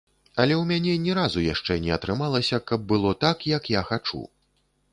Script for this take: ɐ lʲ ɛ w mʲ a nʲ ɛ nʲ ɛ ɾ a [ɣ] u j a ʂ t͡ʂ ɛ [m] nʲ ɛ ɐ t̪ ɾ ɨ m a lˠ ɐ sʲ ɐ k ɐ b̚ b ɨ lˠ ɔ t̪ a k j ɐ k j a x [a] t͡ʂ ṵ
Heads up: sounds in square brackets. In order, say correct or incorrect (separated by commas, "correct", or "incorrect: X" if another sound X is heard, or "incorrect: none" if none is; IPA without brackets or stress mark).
incorrect: z, incorrect: none, correct